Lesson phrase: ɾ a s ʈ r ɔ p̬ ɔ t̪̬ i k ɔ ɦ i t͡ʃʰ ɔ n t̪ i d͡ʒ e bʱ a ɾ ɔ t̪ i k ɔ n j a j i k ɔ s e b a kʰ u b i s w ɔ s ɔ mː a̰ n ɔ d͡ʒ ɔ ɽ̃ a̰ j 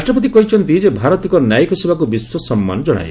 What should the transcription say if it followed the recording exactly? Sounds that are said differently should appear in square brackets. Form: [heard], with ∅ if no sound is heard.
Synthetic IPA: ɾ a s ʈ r ɔ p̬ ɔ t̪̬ i k ɔ ɦ i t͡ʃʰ ɔ n t̪ i d͡ʒ e bʱ a ɾ ɔ t̪ i k ɔ n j a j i k ɔ s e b a [k] u b i s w ɔ s ɔ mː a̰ n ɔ d͡ʒ ɔ ɽ̃ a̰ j

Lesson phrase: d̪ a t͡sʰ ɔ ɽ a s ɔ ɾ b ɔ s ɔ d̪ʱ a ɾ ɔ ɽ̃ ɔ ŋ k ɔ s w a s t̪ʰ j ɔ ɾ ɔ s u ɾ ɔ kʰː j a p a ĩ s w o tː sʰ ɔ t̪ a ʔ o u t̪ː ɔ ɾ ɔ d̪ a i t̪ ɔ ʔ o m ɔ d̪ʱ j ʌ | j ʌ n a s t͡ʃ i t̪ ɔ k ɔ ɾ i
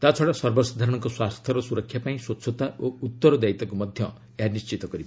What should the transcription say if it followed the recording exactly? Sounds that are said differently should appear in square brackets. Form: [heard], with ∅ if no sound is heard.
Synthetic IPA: [t̪] a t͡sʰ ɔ ɽ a s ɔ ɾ b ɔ s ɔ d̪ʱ a ɾ ɔ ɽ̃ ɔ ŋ k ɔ s w a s t̪ʰ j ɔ ɾ ɔ s u ɾ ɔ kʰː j a p a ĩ s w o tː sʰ ɔ t̪ a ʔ o u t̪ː ɔ ɾ ɔ d̪ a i t̪ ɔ [k] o m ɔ d̪ʱ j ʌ | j [a] n [i] s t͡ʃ i t̪ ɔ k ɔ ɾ i

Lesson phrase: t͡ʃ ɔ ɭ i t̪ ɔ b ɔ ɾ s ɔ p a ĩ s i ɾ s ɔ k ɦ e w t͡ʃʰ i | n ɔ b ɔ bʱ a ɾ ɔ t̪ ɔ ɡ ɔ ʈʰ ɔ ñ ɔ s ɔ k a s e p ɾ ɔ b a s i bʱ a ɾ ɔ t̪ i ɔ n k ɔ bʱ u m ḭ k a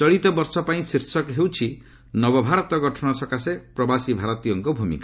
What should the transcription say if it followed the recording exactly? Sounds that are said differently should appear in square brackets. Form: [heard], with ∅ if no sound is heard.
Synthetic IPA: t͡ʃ ɔ ɭ i t̪ ɔ b ɔ ɾ s ɔ p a ĩ s i ɾ s ɔ k ɦ e w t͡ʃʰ i | n ɔ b ɔ bʱ a ɾ ɔ t̪ ɔ ɡ ɔ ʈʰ ɔ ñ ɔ s ɔ k a s e p ɾ ɔ b a s i bʱ a ɾ ɔ t̪ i ɔ [ŋ] k ɔ bʱ u m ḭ k a

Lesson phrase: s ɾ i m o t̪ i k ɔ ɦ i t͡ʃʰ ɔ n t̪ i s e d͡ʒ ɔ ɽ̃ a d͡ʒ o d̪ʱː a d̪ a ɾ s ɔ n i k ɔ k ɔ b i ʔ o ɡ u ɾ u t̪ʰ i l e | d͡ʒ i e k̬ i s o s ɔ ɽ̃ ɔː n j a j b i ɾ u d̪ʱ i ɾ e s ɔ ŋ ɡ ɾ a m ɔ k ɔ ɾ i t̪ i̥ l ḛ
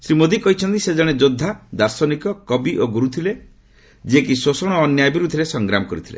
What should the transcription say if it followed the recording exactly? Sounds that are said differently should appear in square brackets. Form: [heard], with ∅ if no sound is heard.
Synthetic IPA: s ɾ i m o [d̪] i k ɔ ɦ i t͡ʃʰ ɔ n t̪ i s e d͡ʒ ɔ ɽ̃ [e] d͡ʒ o d̪ʱː a d̪ a ɾ s ɔ n i k ɔ k ɔ b i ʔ o ɡ u ɾ u t̪ʰ i l e | d͡ʒ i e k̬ i s o s ɔ ɽ̃ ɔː n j a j b i ɾ u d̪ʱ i ɾ e s ɔ ŋ ɡ ɾ a m ɔ k ɔ ɾ i [t̪ʰ] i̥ l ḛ

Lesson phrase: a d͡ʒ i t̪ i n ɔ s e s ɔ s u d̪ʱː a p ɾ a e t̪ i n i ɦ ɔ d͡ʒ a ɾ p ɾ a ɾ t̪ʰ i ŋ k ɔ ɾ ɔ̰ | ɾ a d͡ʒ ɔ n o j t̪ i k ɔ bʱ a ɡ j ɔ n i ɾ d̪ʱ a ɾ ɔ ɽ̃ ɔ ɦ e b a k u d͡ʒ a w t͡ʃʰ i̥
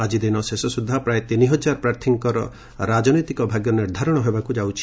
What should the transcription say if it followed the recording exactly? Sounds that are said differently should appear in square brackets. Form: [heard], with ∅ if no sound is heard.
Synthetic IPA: a d͡ʒ i [d̪] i n ɔ s e s ɔ s u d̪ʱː a p ɾ a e t̪ i n i ɦ ɔ d͡ʒ a ɾ p ɾ a ɾ t̪ʰ i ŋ k ɔ ɾ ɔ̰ | ɾ a d͡ʒ ɔ n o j t̪ i k ɔ bʱ a ɡ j ɔ n i ɾ d̪ʱ a ɾ ɔ ɽ̃ ɔ ɦ e b a k u d͡ʒ a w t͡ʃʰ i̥

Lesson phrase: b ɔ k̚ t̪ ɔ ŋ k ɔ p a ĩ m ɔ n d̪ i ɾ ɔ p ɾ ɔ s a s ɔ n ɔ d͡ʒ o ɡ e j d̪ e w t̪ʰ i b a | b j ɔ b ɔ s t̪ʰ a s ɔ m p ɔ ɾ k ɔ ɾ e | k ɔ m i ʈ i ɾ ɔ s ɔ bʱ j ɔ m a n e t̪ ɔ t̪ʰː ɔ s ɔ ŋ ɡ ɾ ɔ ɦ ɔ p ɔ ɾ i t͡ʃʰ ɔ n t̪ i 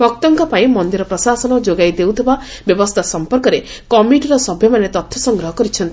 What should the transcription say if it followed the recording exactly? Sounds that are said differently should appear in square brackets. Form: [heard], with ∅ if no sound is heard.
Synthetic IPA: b ɔ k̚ t̪ ɔ ŋ k ɔ p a ĩ m ɔ n d̪ i ɾ ɔ p ɾ ɔ s a s ɔ n ɔ d͡ʒ o ɡ [a] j d̪ e w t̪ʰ i b a | b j ɔ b ɔ s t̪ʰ a s ɔ m p ɔ ɾ k ɔ ɾ e | k ɔ m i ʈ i ɾ ɔ s ɔ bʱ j ɔ m a n e t̪ ɔ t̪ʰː ɔ s ɔ ŋ ɡ ɾ ɔ ɦ ɔ [k] ɔ ɾ i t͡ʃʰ ɔ n t̪ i

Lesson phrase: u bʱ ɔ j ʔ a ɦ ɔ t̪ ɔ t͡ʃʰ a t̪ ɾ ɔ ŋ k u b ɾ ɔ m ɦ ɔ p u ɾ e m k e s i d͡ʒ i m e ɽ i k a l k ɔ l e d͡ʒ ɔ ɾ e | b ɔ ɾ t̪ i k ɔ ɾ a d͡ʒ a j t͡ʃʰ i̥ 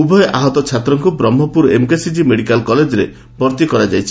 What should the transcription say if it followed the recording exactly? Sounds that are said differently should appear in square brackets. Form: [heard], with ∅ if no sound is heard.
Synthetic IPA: u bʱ ɔ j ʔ a ɦ ɔ t̪ ɔ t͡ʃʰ a t̪ ɾ ɔ ŋ k u b ɾ ɔ m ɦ ɔ p u ɾ e m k e s i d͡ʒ i m e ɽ i k a l k ɔ l e d͡ʒ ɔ ɾ e | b ɔ ɾ t̪ i k ɔ ɾ a d͡ʒ a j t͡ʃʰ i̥

